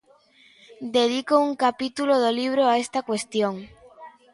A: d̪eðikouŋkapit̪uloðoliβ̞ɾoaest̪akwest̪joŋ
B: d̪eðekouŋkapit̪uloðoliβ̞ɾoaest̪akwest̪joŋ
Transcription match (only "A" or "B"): A